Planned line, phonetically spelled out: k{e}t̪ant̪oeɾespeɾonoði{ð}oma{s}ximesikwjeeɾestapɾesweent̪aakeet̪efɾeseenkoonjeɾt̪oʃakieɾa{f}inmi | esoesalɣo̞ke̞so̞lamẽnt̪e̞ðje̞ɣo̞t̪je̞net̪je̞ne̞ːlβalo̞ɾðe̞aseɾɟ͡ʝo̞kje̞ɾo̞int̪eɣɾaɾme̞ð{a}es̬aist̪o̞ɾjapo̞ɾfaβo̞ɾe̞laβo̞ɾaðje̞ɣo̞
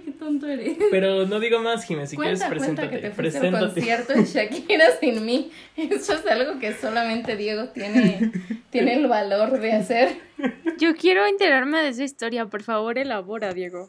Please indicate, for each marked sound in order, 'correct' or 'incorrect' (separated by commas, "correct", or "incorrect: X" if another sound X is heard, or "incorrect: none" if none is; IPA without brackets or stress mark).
correct, incorrect: ɣ, correct, incorrect: s, incorrect: e